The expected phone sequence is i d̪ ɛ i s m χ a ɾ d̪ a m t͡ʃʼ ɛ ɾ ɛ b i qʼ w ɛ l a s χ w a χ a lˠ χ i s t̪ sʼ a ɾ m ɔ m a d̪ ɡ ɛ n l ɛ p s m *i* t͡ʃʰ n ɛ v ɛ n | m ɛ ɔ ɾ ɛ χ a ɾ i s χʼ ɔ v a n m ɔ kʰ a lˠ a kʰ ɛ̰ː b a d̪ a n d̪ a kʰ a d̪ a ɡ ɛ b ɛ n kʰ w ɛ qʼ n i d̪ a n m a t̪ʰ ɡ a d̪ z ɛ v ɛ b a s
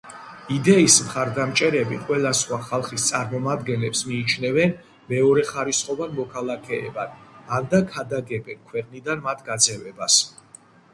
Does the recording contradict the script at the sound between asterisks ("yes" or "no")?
yes